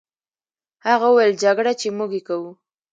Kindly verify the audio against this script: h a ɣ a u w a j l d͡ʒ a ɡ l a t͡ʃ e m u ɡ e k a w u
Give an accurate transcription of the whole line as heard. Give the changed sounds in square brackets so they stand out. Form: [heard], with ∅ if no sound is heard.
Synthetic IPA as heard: h a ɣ a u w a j l d͡ʒ a ɡ [ɽ] a t͡ʃ e m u ɡ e k a w u